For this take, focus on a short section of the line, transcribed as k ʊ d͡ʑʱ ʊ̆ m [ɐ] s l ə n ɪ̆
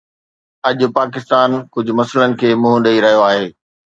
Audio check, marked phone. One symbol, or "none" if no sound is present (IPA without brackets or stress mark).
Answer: ɐ